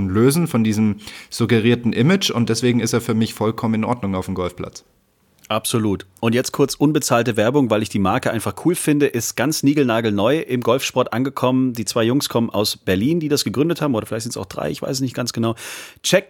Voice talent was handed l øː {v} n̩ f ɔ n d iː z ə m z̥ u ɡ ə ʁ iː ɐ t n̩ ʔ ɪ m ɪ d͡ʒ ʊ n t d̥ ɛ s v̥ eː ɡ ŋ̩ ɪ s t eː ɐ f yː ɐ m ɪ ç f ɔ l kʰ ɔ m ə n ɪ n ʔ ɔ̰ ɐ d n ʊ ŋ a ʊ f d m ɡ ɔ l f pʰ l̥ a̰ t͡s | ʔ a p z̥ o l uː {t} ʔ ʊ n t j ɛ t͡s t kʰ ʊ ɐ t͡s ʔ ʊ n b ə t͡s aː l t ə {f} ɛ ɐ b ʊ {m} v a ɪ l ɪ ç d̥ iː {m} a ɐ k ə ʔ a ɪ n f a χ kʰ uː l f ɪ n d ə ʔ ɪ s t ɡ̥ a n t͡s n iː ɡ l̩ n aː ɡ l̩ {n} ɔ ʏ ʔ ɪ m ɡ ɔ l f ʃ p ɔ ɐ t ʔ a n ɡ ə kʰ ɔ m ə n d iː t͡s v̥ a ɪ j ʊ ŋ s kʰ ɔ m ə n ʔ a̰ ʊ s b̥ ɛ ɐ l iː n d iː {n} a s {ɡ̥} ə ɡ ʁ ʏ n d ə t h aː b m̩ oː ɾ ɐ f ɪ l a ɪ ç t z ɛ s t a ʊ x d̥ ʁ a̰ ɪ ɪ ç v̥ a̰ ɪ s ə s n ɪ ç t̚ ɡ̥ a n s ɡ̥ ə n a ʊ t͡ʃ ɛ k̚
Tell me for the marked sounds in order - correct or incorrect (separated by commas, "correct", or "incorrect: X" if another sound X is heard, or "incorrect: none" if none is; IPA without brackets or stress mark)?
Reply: incorrect: z, correct, incorrect: v, incorrect: ŋ, correct, correct, incorrect: d, correct